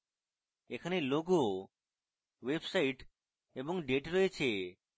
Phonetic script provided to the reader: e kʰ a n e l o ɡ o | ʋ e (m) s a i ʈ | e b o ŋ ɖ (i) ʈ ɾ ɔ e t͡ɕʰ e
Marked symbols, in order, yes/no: no, no

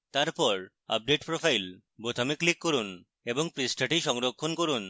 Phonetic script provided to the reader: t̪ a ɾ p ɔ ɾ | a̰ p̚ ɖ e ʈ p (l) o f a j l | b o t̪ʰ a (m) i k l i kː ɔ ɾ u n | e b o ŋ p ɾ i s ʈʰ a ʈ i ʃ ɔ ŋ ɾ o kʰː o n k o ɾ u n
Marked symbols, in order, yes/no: no, yes

